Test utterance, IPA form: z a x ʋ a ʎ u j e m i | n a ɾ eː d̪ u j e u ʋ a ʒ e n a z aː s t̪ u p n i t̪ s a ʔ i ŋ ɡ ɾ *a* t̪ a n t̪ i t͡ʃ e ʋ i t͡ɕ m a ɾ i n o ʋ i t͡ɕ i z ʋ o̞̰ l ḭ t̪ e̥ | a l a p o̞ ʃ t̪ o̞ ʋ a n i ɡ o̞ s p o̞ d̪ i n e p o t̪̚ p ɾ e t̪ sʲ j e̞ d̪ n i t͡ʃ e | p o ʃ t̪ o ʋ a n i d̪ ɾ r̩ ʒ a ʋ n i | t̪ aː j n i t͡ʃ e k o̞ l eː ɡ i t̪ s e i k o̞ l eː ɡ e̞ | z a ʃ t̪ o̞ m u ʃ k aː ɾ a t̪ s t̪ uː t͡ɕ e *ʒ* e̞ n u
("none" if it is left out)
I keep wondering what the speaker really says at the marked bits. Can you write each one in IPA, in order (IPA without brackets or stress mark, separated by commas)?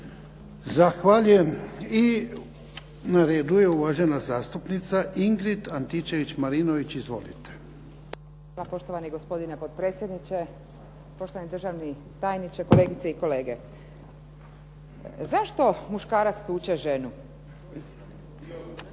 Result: i, ʒ